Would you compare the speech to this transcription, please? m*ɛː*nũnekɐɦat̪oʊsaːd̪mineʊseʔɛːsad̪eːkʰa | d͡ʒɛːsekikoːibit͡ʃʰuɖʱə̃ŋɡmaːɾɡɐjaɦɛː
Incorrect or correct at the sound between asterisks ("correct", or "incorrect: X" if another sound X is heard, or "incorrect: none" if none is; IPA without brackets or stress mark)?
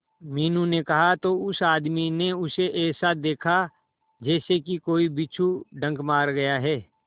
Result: incorrect: iː